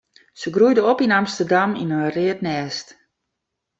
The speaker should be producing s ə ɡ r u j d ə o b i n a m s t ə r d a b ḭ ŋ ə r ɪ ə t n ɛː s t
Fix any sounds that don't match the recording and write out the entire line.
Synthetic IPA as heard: s ə ɡ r u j d ə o p i n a m s t ə r d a m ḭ n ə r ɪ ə t n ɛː s t